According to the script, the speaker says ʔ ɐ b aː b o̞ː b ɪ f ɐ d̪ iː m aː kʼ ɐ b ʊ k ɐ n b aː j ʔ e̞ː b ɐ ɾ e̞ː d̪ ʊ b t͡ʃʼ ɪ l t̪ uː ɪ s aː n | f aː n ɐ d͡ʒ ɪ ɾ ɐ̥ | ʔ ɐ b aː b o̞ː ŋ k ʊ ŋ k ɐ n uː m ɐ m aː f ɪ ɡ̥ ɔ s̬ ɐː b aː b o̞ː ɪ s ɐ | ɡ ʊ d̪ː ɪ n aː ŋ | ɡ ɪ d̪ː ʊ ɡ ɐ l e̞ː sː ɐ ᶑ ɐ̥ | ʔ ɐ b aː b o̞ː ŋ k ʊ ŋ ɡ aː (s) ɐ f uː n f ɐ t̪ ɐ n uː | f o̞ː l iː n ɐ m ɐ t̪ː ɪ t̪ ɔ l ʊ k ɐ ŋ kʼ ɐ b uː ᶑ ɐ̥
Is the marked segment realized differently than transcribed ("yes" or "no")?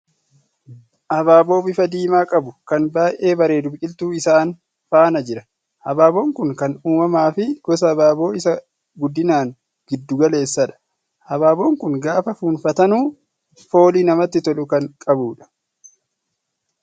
yes